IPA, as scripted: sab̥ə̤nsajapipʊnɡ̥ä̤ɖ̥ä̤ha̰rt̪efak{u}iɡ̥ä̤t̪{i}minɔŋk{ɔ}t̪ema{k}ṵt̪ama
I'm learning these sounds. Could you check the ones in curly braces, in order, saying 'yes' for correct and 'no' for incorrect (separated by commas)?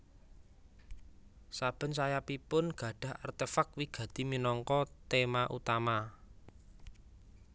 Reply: no, yes, yes, no